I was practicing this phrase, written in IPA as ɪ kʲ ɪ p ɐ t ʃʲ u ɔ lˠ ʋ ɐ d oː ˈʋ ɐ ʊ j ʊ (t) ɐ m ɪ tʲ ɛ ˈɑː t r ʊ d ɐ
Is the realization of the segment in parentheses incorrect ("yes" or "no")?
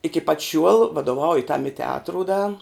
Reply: no